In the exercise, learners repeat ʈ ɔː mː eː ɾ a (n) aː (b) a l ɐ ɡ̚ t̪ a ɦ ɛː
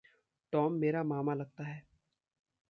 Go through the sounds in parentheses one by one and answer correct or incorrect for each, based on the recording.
incorrect: m, incorrect: m

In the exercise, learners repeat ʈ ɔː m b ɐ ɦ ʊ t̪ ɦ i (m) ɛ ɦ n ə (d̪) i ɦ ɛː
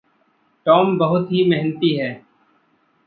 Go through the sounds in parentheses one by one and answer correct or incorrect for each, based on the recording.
correct, incorrect: t̪

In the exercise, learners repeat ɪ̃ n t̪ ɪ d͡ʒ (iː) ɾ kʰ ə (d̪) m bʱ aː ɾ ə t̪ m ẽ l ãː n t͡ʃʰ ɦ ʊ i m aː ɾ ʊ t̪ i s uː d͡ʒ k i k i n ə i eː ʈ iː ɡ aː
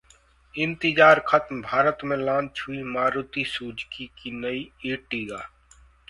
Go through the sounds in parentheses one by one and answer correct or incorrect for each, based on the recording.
incorrect: aː, incorrect: t̪

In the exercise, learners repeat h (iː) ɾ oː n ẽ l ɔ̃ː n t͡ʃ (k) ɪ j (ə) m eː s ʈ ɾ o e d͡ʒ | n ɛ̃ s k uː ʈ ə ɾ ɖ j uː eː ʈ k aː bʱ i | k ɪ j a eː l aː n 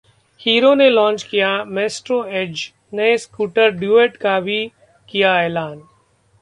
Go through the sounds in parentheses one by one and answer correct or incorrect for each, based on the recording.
correct, correct, incorrect: a

